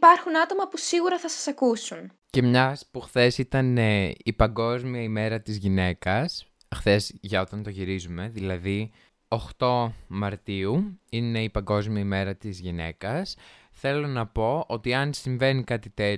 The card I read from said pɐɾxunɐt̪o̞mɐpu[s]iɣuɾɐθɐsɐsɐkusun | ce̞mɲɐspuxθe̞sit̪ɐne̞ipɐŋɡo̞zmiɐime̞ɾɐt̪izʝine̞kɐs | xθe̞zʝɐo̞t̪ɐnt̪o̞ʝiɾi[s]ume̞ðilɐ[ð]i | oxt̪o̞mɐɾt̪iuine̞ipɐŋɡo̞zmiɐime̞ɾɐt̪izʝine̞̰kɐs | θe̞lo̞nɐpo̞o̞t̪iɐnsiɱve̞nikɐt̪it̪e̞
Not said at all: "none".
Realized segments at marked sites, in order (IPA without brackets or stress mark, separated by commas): s, z, ð